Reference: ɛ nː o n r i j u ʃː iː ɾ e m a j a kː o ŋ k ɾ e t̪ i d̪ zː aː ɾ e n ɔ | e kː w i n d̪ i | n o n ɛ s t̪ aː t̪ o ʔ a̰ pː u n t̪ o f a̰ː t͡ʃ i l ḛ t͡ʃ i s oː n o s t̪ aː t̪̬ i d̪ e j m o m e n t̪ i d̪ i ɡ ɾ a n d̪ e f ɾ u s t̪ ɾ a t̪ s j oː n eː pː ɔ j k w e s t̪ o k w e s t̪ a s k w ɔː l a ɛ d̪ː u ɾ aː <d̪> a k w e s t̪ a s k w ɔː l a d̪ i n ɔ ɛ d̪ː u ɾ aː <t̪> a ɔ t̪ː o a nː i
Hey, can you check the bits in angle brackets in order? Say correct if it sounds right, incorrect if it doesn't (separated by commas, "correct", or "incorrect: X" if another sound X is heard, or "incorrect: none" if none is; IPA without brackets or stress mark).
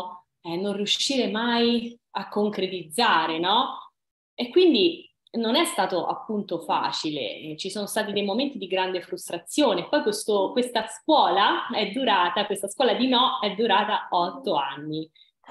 incorrect: t̪, correct